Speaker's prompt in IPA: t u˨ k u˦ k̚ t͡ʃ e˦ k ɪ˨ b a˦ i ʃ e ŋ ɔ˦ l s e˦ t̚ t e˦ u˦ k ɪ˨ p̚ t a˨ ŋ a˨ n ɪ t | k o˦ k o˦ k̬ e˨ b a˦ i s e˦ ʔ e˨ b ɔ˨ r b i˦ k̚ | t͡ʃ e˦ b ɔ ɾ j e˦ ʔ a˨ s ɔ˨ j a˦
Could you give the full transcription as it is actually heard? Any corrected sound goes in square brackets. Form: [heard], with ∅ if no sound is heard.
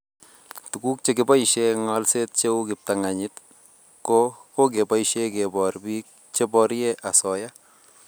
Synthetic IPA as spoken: t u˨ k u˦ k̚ t͡ʃ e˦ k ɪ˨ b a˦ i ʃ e ŋ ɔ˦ l s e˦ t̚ [t͡ʃ] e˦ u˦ k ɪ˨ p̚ t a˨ ŋ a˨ [ɲ] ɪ t | k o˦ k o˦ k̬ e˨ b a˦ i [ʃ] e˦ [k] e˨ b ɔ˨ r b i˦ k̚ | t͡ʃ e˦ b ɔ ɾ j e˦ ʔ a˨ s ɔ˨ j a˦